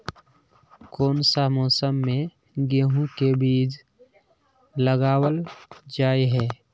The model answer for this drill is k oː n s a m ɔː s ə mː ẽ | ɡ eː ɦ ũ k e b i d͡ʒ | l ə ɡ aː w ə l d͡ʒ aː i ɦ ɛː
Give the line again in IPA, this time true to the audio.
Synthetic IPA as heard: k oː n s a m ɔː s ə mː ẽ | ɡ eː ɦ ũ k e b iː d͡ʒ | l ə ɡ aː w ə l d͡ʒ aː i ɦ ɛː